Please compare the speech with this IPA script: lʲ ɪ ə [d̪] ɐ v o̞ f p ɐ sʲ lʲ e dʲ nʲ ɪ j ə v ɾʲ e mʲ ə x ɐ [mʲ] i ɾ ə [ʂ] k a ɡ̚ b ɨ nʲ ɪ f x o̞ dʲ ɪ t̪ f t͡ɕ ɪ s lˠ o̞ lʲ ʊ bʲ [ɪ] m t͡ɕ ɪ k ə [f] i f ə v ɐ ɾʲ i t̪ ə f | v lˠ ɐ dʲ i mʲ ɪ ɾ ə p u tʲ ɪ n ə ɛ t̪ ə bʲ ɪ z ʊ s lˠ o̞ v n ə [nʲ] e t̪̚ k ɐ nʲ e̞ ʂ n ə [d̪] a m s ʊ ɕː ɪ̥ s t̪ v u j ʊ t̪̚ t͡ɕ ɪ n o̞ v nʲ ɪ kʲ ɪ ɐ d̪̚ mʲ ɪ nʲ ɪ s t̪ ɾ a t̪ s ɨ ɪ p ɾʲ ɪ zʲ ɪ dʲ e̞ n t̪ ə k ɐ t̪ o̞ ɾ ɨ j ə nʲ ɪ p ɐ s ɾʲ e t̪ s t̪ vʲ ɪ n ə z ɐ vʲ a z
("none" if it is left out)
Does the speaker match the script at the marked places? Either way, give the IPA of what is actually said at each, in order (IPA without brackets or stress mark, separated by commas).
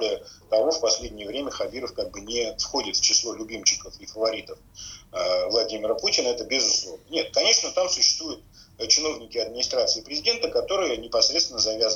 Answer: t̪, bʲ, f, i, f, nʲ, t̪